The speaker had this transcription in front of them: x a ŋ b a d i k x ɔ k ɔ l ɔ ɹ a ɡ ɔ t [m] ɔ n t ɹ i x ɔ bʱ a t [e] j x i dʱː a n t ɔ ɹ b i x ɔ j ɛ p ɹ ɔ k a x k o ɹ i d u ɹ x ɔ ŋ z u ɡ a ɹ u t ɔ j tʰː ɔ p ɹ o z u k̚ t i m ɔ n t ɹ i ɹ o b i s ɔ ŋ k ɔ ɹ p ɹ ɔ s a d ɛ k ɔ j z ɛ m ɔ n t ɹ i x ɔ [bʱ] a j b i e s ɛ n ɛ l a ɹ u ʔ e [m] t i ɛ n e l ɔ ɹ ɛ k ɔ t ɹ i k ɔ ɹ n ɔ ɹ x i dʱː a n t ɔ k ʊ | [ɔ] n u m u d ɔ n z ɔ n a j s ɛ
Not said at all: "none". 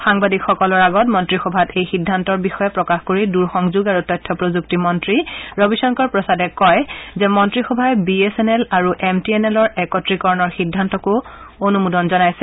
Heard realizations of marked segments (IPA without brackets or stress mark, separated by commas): m, e, bʱ, m, o